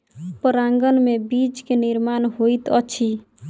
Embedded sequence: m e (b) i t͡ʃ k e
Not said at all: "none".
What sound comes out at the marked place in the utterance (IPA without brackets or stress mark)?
b